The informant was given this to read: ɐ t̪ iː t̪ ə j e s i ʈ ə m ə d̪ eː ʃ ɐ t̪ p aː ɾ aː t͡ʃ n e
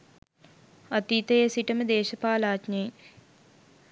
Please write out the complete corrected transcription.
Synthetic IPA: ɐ t̪ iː t̪ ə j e s i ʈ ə m ə d̪ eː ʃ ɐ p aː l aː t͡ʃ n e